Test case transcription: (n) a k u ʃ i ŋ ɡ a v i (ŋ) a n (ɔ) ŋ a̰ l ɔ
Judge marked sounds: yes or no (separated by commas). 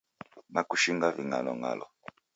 yes, yes, yes